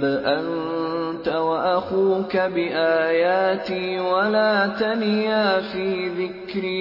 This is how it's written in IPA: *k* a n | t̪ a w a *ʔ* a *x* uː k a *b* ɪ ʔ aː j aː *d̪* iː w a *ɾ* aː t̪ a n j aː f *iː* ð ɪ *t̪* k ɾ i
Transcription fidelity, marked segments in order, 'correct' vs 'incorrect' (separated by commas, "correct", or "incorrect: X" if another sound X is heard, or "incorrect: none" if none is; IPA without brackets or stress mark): incorrect: ʔ, correct, correct, correct, incorrect: t̪, incorrect: l, correct, incorrect: none